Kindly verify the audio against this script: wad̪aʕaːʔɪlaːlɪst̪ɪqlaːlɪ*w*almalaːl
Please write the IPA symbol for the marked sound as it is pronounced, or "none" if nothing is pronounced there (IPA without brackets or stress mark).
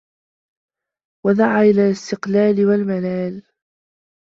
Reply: w